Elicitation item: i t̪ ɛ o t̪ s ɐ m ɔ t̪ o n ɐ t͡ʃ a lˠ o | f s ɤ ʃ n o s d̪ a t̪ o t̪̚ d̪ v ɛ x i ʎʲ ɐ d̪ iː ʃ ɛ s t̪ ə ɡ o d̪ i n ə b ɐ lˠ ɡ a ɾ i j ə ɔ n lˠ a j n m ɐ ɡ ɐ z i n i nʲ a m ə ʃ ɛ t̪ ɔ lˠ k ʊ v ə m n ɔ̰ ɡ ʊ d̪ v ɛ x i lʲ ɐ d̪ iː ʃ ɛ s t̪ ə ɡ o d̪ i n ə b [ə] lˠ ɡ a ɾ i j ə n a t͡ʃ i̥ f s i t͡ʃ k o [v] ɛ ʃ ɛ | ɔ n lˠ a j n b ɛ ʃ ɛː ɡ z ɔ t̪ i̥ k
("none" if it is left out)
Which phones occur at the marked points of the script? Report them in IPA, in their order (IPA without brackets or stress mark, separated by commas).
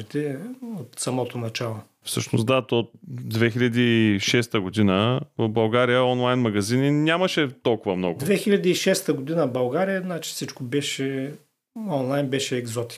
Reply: ɐ, b